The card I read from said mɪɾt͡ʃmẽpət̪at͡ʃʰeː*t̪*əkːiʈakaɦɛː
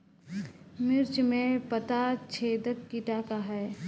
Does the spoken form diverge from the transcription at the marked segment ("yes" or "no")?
yes